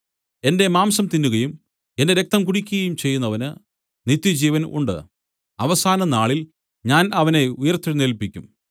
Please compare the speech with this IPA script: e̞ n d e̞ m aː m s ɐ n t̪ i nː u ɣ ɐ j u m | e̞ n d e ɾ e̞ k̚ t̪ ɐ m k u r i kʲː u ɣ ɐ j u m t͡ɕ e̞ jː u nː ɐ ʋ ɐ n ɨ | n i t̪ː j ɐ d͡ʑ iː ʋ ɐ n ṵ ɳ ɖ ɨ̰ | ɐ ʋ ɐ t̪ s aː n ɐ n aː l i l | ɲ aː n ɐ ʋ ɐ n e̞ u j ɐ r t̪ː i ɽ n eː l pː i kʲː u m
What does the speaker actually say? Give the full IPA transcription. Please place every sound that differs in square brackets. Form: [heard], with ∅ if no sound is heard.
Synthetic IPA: e̞ n d e̞ m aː m s ɐ [m] t̪ i nː u ɣ ɐ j u m | e̞ n d e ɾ e̞ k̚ t̪ ɐ m k u [ɽ] i kʲː u ɣ ɐ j u m t͡ɕ e̞ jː u nː ɐ ʋ ɐ n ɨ | n i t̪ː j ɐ d͡ʑ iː ʋ ɐ n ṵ ɳ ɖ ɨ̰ | ɐ ʋ ɐ [∅] s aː n ɐ n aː [ɭ] i l | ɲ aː n ɐ ʋ ɐ n e̞ u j ɐ r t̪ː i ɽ n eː l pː i kʲː u m